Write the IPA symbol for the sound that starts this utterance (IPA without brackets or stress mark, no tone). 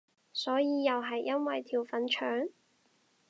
s